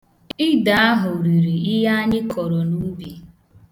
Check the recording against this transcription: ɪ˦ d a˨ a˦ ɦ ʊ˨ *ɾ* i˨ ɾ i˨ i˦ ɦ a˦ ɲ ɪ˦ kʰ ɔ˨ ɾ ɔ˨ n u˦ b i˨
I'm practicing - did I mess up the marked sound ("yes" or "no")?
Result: no